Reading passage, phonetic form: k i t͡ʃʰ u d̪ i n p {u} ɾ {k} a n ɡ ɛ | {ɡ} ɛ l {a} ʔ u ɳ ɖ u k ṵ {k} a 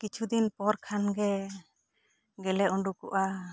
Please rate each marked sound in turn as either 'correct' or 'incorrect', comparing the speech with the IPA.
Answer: incorrect: ɔ, incorrect: kʰ, correct, incorrect: ɛ, incorrect: ʔ

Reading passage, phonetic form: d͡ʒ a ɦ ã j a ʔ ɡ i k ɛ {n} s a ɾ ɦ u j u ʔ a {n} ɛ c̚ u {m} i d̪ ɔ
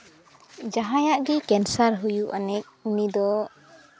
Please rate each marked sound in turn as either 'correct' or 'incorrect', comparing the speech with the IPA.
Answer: correct, correct, incorrect: n

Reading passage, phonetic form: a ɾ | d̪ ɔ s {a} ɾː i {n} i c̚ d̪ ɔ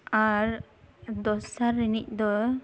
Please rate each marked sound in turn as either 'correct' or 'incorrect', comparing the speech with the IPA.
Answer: correct, correct

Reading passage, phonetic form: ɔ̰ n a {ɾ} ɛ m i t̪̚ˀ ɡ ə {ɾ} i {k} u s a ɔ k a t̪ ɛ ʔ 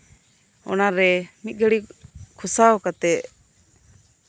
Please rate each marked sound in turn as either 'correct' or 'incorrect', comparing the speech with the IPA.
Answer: correct, incorrect: ɽ, incorrect: kʰ

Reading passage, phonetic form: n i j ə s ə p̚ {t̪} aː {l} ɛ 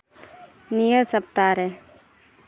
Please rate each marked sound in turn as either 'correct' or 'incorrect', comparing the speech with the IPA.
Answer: correct, incorrect: ɾ

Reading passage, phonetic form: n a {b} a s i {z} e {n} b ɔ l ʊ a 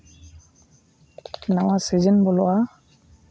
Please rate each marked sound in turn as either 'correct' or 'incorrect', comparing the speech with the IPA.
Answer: incorrect: w, correct, correct

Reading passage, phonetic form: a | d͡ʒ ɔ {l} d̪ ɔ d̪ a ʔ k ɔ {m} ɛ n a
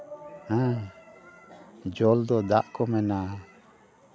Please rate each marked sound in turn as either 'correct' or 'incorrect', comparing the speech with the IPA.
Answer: correct, correct

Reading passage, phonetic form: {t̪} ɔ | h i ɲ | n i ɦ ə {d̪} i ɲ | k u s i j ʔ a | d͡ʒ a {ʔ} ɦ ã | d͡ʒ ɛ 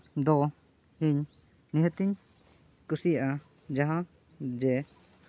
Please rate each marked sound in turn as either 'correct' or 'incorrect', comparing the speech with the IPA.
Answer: incorrect: d̪, incorrect: t̪, incorrect: none

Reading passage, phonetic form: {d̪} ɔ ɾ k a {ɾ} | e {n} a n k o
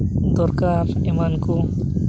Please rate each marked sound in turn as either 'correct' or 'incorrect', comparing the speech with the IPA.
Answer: correct, correct, incorrect: m

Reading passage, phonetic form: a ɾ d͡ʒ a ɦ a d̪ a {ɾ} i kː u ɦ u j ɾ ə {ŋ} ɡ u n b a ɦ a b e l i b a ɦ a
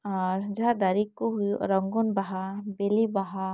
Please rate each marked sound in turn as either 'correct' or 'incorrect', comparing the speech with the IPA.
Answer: correct, correct

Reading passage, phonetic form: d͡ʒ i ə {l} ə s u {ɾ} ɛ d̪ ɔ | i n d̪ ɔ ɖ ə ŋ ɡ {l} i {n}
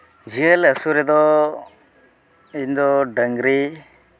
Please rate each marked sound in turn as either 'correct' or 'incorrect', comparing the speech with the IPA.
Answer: correct, correct, incorrect: ɾ, incorrect: none

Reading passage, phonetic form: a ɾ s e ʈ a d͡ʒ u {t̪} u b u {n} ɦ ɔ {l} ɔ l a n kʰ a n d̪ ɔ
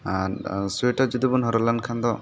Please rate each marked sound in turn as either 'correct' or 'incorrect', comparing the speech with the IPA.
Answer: incorrect: d̪, correct, incorrect: ɾ

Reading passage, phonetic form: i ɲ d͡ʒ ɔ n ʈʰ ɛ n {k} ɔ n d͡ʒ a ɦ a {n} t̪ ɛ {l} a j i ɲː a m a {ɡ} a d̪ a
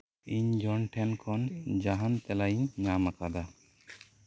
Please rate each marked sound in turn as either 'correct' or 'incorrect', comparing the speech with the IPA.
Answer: incorrect: kʰ, correct, correct, incorrect: k

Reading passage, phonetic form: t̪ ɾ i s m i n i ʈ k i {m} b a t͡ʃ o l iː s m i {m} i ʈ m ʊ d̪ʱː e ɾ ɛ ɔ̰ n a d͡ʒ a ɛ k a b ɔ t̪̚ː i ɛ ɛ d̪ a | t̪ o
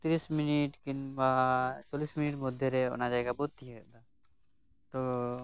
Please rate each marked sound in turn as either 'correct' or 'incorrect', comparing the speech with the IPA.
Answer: incorrect: n, incorrect: n

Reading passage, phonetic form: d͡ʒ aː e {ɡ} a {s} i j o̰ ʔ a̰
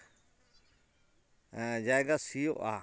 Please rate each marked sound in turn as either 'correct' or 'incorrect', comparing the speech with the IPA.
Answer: correct, correct

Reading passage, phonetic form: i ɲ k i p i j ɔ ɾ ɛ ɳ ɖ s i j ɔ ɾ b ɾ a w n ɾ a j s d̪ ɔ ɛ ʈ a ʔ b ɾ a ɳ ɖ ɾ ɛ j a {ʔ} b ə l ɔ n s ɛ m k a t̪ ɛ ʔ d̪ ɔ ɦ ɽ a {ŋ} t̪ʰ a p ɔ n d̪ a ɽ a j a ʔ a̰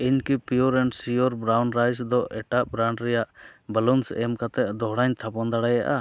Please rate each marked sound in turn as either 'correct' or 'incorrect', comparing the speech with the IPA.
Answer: correct, incorrect: ɲ

